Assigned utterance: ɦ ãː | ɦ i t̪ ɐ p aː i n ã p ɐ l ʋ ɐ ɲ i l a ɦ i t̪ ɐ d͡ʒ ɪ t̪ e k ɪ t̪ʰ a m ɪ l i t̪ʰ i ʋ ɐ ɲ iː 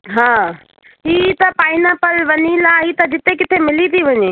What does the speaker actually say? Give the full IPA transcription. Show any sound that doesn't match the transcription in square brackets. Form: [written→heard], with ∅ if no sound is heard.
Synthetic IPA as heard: ɦ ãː | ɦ i t̪ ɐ p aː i n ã p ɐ l ʋ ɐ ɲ i l a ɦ i t̪ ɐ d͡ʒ ɪ t̪ e k ɪ t̪ʰ [a→e] m ɪ l i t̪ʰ i ʋ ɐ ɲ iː